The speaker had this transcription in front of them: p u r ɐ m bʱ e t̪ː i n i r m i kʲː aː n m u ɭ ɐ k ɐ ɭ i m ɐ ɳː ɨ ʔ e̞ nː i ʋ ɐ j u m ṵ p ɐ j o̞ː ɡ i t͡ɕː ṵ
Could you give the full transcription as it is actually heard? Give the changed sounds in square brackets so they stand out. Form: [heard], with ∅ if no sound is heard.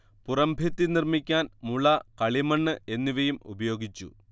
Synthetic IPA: p u r ɐ m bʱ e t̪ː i n i r m i kʲː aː n m u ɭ ɐ k ɐ ɭ i m ɐ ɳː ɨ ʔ e̞ nː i ʋ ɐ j u m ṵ [b] ɐ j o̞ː ɡ i t͡ɕː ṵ